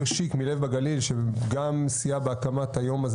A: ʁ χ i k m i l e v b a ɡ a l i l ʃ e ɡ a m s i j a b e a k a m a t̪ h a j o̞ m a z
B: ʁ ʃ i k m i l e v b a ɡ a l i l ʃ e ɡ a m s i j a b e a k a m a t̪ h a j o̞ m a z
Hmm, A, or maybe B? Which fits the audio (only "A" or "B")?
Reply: B